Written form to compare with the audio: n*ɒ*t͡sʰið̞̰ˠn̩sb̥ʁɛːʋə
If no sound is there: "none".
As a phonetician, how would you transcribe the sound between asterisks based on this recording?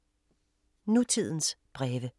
u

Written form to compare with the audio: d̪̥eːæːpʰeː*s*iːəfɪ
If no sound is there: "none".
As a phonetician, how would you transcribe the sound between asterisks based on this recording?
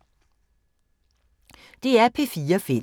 f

